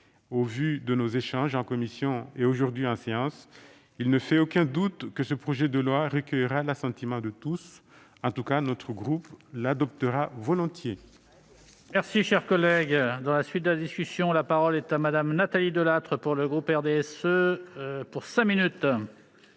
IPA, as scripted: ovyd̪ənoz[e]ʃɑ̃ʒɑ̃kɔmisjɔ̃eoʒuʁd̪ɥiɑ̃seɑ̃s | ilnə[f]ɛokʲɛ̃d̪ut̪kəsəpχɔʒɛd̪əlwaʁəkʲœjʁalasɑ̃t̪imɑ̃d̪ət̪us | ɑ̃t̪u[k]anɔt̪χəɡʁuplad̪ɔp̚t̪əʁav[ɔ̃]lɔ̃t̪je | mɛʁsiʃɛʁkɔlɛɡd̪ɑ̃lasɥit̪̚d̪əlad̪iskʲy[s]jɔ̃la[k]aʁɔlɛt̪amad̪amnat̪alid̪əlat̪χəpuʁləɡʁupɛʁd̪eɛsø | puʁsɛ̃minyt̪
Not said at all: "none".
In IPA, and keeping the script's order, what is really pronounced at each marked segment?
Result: e, f, k, ɔ, s, p

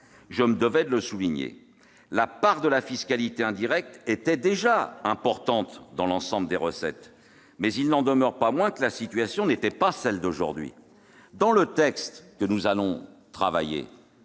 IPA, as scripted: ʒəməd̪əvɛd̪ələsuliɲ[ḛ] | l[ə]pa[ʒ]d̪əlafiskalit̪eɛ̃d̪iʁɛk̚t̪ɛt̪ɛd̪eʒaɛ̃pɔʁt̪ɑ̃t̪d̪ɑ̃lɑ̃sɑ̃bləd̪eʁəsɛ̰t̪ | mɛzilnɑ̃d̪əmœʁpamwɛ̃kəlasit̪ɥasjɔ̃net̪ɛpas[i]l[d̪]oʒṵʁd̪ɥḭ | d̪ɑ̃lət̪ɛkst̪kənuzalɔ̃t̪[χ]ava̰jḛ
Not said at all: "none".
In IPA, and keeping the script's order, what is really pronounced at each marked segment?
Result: ḛ, a, ʁ, ɛ, d̪, χ

